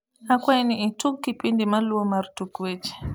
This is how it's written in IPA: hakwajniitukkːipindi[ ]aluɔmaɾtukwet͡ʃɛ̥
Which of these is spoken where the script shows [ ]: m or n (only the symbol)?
m